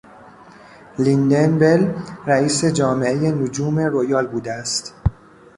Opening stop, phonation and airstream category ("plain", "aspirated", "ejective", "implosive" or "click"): plain